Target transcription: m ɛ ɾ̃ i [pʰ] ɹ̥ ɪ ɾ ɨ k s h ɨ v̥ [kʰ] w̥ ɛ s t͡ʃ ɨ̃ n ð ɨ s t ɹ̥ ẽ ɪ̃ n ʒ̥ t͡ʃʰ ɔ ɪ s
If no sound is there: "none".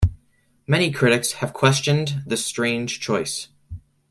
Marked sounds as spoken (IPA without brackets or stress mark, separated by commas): kʰ, kʰ